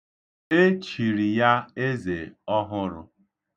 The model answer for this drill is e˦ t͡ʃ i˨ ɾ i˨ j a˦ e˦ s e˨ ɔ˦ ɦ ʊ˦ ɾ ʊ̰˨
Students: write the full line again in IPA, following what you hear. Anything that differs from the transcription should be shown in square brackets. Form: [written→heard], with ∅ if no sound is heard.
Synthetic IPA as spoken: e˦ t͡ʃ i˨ ɾ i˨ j a˦ e˦ [s→z] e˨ ɔ˦ ɦ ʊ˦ ɾ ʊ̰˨